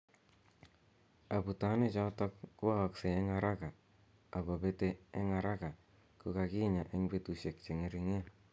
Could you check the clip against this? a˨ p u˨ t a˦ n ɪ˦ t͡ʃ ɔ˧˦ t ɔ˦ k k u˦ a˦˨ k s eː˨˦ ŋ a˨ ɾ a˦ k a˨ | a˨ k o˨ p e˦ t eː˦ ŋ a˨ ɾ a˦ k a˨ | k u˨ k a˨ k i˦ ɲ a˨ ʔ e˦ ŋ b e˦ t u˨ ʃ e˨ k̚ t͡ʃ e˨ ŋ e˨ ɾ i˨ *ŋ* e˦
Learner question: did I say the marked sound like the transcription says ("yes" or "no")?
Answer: yes